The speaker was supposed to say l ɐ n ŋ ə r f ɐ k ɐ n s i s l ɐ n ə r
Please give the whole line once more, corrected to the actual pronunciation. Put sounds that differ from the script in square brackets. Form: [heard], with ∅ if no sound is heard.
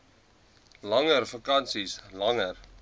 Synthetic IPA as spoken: l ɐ [∅] ŋ ə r f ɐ k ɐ n s i s l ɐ [ŋ] ə r